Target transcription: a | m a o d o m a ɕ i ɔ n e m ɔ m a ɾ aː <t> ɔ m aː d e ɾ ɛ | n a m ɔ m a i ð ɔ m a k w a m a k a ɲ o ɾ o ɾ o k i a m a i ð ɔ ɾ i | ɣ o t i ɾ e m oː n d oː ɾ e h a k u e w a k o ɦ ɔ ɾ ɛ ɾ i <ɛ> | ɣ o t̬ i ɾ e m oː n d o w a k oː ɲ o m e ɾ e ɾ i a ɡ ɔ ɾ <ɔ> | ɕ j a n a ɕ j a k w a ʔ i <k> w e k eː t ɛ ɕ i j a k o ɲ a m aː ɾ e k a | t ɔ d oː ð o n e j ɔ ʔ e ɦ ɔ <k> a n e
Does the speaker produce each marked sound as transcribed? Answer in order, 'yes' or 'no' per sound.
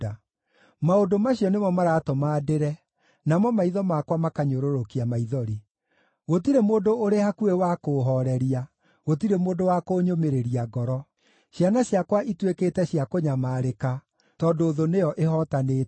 yes, no, yes, no, no

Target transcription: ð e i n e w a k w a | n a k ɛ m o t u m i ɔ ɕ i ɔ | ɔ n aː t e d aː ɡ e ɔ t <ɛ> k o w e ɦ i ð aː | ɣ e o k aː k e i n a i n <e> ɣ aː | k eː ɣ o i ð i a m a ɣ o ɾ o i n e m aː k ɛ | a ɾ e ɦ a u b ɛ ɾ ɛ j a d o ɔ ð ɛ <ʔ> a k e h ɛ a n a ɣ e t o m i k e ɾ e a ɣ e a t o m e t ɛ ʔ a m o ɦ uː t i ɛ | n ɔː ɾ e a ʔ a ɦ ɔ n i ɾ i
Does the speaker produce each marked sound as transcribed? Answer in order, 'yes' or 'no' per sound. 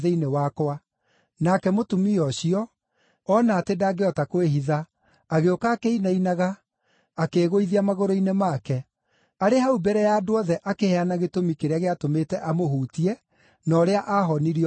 no, no, yes

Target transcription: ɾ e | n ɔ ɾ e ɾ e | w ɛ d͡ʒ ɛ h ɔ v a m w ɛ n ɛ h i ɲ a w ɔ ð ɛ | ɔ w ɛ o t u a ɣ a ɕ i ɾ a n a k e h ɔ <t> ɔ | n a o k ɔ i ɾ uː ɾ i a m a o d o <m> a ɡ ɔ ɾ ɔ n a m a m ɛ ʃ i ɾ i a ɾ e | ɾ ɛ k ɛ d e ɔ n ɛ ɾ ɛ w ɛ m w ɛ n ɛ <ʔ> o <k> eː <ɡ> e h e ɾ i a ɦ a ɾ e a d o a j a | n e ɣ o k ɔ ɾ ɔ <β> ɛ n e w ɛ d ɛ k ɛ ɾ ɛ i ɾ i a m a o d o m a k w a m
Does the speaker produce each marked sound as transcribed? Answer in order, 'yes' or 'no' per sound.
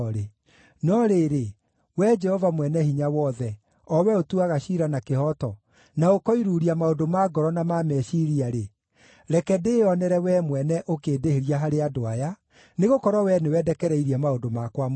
yes, yes, yes, yes, no, no

